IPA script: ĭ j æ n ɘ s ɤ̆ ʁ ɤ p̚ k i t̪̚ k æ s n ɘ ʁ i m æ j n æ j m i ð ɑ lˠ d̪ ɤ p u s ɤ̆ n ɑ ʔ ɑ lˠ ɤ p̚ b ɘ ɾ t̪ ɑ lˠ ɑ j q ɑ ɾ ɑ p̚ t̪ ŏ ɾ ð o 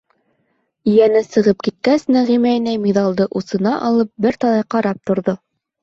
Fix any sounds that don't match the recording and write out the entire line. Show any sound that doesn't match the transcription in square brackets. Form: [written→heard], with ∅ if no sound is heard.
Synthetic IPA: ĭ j æ n ɘ s ɤ̆ ʁ ɤ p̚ k i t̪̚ k æ s n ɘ ʁ i m æ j n æ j m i ð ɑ lˠ d̪ ɤ [p→ʔ] u s ɤ̆ n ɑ ʔ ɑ lˠ ɤ p̚ b ɘ ɾ t̪ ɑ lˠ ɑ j q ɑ ɾ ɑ p̚ t̪ ŏ ɾ ð o